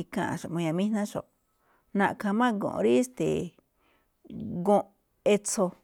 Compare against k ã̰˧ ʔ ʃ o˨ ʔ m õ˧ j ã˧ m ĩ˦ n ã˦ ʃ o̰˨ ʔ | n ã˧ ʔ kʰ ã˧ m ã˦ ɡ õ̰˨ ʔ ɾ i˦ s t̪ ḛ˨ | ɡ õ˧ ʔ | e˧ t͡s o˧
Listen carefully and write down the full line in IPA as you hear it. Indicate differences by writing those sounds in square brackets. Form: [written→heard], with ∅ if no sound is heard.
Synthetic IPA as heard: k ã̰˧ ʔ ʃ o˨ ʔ m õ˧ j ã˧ m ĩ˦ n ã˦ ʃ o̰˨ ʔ | n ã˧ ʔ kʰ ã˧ m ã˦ ɡ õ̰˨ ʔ ɾ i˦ s t̪ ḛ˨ | ɡ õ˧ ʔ | e˧ t͡s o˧